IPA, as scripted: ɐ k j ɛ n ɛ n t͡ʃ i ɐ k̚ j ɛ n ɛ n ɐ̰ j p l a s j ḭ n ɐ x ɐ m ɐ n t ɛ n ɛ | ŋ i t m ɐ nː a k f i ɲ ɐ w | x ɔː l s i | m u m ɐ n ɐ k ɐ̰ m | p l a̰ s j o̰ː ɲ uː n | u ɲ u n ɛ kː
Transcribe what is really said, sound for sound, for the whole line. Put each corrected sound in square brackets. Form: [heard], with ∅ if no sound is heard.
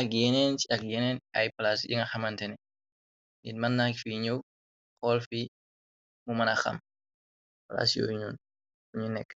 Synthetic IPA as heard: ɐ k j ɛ n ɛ n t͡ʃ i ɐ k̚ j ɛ n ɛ n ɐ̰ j p l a s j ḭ [ŋ] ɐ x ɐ m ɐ n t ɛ n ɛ | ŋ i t m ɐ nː a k f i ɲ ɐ w | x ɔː l [f] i | m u m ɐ n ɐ [x] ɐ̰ m | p l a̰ s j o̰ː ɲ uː n | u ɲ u n ɛ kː